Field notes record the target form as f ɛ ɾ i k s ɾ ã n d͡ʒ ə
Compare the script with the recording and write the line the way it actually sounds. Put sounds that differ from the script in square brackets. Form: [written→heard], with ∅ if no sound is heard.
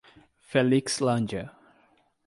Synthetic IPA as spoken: f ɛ [ɾ→l] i k s [ɾ→l] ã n d͡ʒ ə